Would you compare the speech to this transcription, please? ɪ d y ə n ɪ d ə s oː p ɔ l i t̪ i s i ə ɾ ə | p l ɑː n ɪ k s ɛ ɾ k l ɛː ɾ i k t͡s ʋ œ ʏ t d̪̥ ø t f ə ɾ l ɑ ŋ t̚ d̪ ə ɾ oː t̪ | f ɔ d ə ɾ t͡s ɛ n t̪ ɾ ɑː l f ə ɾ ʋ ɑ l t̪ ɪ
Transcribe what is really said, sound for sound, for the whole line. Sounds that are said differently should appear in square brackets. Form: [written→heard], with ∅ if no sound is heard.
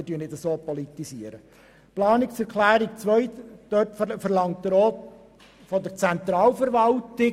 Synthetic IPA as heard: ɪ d y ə n ɪ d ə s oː p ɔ l i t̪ i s i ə ɾ ə | p l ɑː n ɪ k s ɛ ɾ k l [ɛː→æː] ɾ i k t͡s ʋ œ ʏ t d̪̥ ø t f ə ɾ l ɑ ŋ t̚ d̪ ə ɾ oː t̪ | f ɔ d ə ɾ t͡s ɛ n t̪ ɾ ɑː l f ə ɾ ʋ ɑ l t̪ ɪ